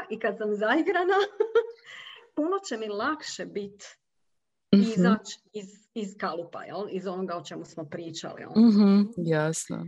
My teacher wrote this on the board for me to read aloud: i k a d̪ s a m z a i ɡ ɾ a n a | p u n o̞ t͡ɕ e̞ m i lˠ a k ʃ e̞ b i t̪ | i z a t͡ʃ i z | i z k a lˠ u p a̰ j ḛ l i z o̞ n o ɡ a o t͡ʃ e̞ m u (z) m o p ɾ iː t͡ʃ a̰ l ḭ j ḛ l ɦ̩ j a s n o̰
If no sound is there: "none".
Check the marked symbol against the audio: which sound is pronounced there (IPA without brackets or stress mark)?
s